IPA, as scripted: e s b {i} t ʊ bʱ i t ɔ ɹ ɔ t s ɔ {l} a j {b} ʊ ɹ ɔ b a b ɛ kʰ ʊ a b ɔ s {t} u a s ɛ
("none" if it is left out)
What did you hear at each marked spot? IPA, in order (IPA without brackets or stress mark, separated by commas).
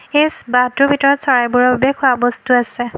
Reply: a, ɹ, b, t